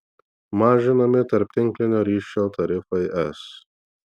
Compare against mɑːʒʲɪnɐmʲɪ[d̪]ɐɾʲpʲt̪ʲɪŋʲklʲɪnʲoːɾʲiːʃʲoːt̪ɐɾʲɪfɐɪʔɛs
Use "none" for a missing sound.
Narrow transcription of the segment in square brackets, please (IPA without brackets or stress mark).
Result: t̪